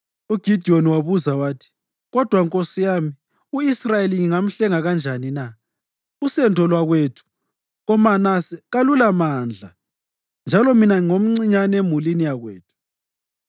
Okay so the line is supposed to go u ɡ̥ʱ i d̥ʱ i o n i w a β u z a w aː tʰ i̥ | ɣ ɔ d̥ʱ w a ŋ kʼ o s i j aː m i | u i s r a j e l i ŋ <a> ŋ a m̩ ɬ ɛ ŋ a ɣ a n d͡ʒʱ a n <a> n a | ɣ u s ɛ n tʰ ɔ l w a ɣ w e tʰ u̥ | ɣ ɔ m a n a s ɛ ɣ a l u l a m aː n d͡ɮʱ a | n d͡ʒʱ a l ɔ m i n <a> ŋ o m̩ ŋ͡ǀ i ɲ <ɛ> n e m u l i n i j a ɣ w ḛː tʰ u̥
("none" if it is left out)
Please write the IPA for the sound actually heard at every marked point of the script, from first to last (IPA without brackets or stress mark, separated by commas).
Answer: i, i, a, a